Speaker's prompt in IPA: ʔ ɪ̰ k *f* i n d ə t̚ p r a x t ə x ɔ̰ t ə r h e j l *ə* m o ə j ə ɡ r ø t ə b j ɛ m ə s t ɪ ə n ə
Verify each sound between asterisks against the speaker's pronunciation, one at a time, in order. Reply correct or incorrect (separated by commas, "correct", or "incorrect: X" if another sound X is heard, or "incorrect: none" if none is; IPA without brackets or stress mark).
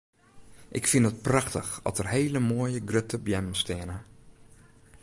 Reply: correct, correct